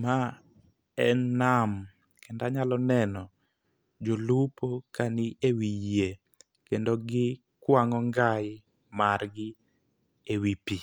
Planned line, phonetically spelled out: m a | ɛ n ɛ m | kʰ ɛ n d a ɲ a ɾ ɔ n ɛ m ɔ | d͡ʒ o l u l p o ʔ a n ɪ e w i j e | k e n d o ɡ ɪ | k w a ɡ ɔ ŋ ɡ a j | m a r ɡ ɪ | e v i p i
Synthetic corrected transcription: m a | ɛ n a m | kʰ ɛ n d a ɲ a l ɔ n ɛ n ɔ | d͡ʒ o l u p o k a n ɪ e w i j e | k e n d o ɡ ɪ | k w a ŋ ɔ ŋ ɡ a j | m a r ɡ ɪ | e w i p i